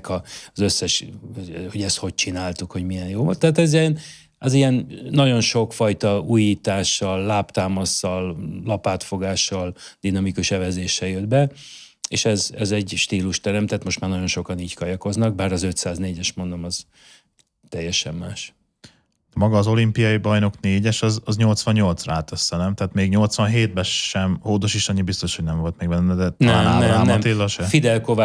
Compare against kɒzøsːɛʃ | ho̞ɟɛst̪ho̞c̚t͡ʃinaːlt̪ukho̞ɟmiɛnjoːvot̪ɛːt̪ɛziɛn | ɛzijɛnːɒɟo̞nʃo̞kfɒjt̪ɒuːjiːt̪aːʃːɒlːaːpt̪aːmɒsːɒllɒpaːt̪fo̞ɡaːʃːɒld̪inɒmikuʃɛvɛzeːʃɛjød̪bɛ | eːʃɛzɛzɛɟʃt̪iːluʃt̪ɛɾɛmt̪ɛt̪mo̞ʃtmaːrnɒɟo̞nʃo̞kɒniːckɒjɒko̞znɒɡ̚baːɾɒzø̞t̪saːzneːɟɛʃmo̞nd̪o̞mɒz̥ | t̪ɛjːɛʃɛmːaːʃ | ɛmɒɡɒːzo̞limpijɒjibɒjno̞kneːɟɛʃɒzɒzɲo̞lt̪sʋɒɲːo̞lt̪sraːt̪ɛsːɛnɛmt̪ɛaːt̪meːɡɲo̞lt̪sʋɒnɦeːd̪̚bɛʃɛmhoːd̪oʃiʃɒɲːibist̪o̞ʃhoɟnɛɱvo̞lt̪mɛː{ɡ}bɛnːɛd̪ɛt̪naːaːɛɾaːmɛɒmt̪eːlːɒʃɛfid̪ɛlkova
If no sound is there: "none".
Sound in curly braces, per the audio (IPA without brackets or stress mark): ɡ